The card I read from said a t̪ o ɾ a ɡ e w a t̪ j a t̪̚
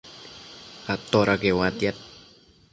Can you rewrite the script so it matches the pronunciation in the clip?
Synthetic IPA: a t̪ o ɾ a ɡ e w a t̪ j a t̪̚